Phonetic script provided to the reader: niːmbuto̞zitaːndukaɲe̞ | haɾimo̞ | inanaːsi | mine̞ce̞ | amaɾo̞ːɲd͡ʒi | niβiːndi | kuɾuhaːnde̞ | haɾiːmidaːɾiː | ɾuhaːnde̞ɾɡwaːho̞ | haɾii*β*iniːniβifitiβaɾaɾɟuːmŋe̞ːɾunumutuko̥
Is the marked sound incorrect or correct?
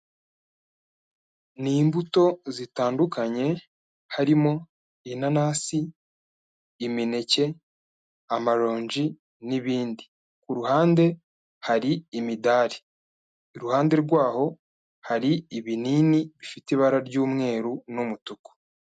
correct